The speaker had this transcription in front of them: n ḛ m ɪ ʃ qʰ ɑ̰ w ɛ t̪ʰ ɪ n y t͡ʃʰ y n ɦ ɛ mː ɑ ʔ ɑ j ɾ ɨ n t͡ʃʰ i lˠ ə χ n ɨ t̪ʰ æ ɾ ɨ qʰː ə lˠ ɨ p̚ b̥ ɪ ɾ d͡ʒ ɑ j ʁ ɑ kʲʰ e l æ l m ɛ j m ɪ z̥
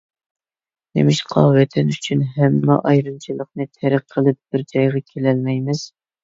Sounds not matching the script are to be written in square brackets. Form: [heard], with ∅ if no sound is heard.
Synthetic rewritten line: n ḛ m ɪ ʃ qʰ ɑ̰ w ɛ t̪ʰ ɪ n y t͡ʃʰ y n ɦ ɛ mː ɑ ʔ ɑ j ɾ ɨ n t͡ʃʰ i lˠ ə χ n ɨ t̪ʰ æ ɾ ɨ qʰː ə lˠ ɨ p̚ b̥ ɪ ɾ d͡ʒ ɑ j ʁ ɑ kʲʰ e l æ l m ɛ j m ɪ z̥